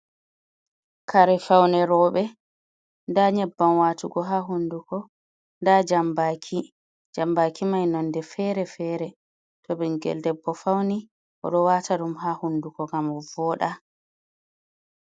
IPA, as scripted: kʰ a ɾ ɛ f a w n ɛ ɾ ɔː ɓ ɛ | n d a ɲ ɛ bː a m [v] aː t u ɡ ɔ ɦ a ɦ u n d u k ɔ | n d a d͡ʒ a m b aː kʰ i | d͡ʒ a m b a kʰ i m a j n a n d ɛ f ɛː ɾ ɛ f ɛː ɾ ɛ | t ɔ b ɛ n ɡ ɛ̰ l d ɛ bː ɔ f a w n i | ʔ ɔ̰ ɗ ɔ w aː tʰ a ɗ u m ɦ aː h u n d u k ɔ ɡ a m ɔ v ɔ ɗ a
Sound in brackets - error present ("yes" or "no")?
yes